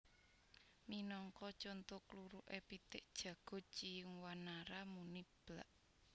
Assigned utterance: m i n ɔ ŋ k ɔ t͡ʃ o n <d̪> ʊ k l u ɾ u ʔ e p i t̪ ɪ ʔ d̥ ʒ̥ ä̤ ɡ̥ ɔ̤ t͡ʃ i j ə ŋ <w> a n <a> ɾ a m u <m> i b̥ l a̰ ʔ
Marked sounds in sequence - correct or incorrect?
incorrect, correct, correct, incorrect

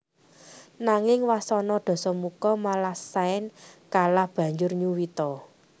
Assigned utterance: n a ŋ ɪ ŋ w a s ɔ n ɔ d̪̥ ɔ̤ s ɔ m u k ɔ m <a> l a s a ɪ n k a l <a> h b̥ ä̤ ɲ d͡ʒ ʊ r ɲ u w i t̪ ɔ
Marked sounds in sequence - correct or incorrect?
correct, correct

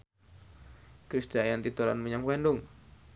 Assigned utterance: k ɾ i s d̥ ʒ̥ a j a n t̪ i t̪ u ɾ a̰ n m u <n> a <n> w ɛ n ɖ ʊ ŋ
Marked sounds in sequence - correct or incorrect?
incorrect, incorrect

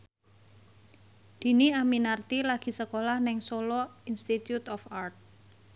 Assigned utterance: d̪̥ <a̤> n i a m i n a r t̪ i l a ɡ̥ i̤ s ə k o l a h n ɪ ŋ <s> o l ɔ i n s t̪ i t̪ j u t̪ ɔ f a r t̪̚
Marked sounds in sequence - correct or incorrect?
incorrect, correct

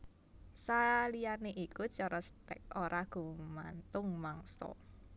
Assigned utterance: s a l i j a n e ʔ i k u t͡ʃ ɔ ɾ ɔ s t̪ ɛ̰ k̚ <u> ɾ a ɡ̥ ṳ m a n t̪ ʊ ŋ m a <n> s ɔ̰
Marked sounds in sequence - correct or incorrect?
incorrect, incorrect

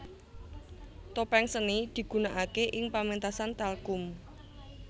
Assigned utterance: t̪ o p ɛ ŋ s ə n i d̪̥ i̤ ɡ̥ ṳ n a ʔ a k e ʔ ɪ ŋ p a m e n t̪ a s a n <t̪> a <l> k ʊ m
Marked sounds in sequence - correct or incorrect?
correct, correct

